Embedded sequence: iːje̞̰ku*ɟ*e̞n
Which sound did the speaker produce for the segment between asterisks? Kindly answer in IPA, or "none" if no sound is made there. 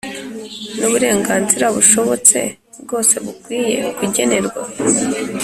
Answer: ɟ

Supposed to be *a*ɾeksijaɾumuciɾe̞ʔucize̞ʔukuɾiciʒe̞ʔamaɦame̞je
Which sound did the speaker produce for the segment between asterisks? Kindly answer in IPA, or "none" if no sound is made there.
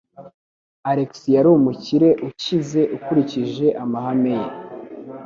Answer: a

